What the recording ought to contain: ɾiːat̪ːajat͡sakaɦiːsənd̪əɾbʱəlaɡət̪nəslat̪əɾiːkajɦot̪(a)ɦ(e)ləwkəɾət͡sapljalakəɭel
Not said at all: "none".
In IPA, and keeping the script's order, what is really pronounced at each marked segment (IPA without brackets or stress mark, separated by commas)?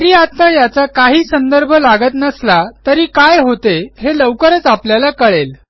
e, e